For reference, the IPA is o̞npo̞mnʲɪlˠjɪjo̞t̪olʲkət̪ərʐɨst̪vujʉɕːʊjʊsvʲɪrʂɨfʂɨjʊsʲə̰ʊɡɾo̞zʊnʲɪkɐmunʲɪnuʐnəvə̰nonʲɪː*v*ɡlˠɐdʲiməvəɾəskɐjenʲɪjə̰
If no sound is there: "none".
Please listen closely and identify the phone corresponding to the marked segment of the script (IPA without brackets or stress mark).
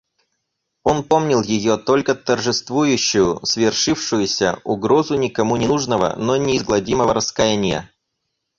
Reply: z